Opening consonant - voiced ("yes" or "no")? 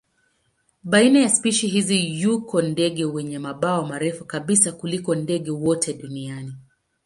yes